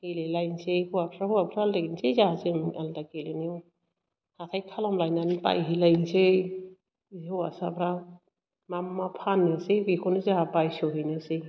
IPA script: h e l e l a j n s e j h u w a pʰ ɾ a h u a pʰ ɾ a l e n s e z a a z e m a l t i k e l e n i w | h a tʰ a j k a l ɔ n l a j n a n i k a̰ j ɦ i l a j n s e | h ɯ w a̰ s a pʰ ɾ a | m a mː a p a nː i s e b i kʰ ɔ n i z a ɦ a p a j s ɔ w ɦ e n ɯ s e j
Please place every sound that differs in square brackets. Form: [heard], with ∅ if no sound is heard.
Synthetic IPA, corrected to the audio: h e l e l a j n s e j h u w a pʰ ɾ a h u a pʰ ɾ a l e n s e z a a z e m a l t [a] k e l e n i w | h a tʰ a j [kʰ] a l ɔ [m] l a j n a n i [p] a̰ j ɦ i l a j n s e | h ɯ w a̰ s a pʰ ɾ a | m a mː a [pʰ] a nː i s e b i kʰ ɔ n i z a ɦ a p a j s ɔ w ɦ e n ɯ s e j